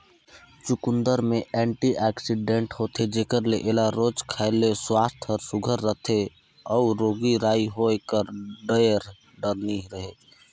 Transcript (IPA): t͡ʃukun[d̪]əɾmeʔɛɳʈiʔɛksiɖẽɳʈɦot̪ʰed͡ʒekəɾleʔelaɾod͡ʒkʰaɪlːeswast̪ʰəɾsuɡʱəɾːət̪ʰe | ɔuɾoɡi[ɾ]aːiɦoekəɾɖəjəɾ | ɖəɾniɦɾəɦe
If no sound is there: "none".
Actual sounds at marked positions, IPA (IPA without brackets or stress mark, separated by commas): d̪, ɾ